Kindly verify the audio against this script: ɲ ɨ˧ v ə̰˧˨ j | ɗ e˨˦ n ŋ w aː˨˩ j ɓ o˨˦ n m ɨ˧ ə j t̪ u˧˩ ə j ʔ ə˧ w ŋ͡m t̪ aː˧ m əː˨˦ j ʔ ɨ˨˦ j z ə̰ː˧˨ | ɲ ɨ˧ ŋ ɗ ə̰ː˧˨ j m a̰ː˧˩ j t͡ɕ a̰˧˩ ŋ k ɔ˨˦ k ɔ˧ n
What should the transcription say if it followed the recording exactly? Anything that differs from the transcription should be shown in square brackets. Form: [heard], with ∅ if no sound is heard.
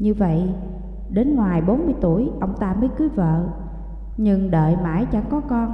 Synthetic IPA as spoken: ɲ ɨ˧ v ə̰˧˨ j | ɗ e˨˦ n ŋ w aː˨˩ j ɓ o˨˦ n m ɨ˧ ə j t̪ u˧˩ ə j ʔ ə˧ w ŋ͡m t̪ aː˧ m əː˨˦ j [k] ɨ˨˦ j [v] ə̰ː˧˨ | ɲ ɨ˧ ŋ ɗ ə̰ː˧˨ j m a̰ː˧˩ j t͡ɕ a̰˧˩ ŋ k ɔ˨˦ k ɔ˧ n